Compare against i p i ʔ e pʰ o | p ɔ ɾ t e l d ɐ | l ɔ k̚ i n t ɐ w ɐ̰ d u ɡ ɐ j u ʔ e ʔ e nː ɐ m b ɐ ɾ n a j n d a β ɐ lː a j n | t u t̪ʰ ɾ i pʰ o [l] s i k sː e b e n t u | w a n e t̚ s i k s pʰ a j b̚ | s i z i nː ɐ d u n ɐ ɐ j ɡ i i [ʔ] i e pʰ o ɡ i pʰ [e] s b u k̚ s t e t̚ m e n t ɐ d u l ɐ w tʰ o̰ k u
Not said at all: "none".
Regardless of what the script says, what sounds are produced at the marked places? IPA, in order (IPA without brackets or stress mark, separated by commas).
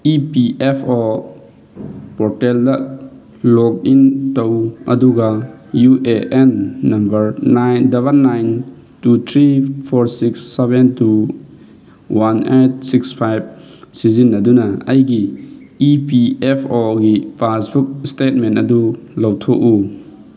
ɾ, p, a